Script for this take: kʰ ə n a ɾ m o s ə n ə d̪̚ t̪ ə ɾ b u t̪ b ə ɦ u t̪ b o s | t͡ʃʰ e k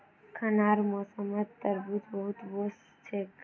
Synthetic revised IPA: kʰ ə n a ɾ m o s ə m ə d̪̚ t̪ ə ɾ b u t̪ b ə ɦ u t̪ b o s | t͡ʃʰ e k

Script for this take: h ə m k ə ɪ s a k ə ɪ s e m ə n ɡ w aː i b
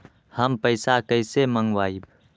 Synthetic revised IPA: h ə m p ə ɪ s a k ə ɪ s e m ə ŋ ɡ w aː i b

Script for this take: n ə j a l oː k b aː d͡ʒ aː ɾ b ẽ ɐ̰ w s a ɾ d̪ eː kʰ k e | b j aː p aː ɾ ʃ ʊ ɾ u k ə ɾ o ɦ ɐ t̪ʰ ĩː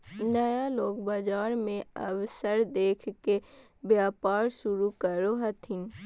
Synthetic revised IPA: n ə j a l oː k b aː d͡ʒ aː ɾ m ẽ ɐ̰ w s ə ɾ d̪ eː kʰ k e | b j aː p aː ɾ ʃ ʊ ɾ u k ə ɾ o ɦ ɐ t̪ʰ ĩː

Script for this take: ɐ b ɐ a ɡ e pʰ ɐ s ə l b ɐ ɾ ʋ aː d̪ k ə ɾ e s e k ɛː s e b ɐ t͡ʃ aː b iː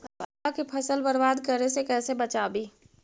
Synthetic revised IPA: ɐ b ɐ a k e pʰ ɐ s ə l b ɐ ɾ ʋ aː d̪ k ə ɾ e s e k ɛː s e b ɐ t͡ʃ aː b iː

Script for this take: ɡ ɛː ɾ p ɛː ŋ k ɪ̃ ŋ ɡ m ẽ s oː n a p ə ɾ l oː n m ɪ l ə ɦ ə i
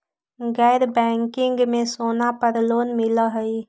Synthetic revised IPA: ɡ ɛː ɾ b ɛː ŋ k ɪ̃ ŋ ɡ m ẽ s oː n a p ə ɾ l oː n m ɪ l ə ɦ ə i

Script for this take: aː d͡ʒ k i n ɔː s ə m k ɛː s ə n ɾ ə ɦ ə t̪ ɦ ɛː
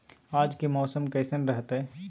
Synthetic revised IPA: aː d͡ʒ k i m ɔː s ə m k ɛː s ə n ɾ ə ɦ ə t̪ ɦ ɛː

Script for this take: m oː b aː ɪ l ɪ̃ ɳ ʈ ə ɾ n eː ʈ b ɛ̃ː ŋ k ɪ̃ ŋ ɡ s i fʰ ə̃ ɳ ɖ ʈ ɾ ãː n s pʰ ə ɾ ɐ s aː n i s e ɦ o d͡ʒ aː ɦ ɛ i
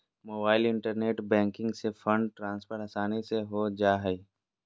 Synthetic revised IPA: m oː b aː ɪ l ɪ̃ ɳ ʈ ə ɾ n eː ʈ b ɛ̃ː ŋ k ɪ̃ ŋ ɡ s e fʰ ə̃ ɳ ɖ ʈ ɾ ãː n s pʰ ə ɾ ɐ s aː n i s e ɦ o d͡ʒ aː ɦ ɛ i

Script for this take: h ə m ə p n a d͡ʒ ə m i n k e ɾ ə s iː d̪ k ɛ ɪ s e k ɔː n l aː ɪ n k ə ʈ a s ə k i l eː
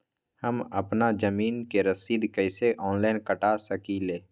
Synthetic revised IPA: h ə m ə p n a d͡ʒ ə m iː n k e ɾ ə s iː d̪ k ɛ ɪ s e ʔ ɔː n l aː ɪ n k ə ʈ a s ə k i l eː

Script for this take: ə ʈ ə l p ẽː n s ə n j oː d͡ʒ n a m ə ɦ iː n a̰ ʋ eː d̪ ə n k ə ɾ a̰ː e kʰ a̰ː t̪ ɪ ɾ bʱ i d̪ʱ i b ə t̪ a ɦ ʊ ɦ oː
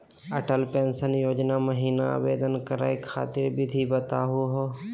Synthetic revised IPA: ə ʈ ə l p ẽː n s ə n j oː d͡ʒ n a m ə ɦ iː n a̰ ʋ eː d̪ ə n k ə ɾ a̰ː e kʰ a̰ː t̪ ɪ ɾ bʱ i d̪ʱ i b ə t̪ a ɦ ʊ ɦ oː

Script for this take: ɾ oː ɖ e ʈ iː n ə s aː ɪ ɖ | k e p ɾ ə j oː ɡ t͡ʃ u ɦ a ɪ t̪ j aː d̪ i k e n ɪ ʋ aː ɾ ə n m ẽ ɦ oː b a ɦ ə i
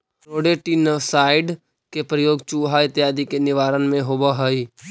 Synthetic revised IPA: ɾ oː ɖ e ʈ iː n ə s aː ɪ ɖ | k e p ɾ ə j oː ɡ t͡ʃ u ɦ a ɪ t̪ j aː d̪ i k e n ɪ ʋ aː ɾ ə n m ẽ ɦ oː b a ɦ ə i

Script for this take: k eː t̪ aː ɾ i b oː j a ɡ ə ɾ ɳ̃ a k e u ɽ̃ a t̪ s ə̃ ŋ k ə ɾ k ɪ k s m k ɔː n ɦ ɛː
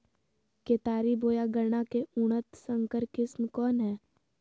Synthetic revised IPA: k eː t̪ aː ɾ i b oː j a ɡ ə ɾ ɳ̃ a k e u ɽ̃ ə t̪ s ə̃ ŋ k ə ɾ k ɪ s m k ɔː n ɦ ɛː

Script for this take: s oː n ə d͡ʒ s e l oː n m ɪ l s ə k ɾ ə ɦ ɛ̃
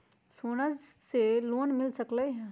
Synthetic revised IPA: s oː n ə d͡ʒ s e l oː n m ɪ l s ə k l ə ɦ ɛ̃

